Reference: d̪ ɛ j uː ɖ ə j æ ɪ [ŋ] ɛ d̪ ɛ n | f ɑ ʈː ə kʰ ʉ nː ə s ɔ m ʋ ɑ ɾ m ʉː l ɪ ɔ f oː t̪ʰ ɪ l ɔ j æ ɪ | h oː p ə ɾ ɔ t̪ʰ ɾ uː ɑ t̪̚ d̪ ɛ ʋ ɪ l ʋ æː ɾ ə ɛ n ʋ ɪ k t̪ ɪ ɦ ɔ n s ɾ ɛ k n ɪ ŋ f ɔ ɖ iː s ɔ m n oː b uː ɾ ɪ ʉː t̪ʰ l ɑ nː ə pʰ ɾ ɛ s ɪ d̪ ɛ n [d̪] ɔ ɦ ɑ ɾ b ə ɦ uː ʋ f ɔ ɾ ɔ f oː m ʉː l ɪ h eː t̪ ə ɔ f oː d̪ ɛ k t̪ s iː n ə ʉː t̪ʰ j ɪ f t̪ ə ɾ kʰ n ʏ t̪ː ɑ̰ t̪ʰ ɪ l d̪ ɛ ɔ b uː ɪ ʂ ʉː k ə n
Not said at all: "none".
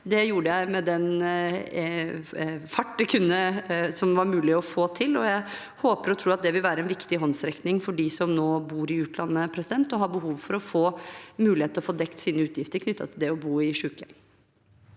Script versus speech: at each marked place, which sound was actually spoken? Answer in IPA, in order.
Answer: m, t̪

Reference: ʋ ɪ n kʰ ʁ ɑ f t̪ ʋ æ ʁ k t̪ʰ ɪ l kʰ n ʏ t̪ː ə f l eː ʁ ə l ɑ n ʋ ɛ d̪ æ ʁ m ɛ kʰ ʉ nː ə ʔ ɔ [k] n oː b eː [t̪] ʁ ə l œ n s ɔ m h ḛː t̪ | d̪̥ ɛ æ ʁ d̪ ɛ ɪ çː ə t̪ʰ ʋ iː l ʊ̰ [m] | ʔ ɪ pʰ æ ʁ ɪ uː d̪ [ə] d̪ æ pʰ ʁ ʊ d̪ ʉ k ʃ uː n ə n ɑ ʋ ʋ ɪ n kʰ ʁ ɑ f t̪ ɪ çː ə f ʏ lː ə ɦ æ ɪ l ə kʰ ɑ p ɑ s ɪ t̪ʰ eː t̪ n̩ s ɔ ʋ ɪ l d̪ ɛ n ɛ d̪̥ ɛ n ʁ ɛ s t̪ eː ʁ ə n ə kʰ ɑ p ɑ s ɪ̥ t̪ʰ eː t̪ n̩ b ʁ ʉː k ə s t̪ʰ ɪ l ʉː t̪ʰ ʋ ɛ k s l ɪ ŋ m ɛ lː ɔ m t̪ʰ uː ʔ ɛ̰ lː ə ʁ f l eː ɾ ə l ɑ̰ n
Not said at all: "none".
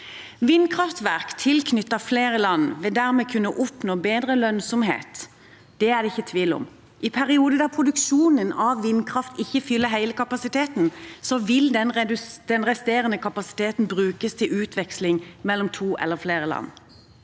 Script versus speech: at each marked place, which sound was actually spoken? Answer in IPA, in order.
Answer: p, d̪, m, ə

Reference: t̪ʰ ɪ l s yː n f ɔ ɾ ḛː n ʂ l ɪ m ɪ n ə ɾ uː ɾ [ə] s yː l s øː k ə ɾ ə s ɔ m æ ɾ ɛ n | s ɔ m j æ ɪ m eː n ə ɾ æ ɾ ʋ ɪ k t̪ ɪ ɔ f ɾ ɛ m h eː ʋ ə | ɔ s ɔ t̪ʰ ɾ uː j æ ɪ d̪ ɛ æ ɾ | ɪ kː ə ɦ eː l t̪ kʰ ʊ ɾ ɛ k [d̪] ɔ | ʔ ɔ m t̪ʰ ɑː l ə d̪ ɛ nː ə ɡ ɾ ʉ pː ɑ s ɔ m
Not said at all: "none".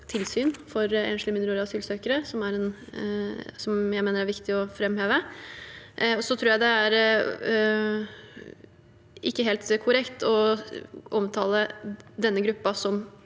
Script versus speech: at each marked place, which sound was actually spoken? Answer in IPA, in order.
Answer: ɑ, t̪

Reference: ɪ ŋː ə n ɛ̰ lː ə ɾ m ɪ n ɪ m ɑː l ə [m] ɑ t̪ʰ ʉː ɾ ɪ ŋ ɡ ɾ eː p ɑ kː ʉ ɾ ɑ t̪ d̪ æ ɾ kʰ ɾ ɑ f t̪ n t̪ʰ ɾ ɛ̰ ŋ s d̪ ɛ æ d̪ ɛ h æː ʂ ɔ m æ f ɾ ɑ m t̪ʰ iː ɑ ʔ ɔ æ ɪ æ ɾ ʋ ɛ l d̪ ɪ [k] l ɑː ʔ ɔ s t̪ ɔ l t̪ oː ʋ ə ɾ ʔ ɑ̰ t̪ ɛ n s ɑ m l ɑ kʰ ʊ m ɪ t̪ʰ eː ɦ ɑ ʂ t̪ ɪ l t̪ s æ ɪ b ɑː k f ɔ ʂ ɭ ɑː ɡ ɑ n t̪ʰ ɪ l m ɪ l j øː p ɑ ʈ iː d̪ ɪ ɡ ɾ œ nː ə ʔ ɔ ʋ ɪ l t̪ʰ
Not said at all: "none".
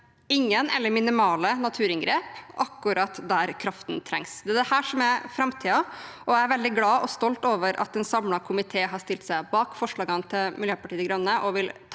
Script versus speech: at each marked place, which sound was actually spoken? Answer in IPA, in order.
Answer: n, ɡ

